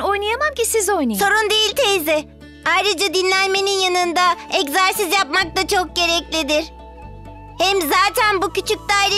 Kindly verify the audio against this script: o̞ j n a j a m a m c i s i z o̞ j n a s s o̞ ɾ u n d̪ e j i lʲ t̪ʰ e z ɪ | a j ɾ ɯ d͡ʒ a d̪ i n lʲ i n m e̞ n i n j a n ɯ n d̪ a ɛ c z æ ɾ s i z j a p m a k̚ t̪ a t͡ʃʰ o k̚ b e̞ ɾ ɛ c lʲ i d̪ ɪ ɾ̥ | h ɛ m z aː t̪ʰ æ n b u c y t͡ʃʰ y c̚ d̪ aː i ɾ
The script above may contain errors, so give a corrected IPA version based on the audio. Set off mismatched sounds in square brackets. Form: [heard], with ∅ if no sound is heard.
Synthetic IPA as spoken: o̞ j n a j a m a m c i s i z o̞ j n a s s o̞ ɾ u n d̪ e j i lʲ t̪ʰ e z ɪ | a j ɾ ɯ d͡ʒ a d̪ i n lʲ [æ] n m e̞ n i n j a n ɯ n d̪ a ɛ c z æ ɾ s i z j a p m a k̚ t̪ a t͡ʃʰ o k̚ [ɟ] e̞ ɾ ɛ c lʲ i d̪ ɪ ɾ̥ | h ɛ m z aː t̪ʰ æ n b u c y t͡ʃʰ y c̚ d̪ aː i ɾ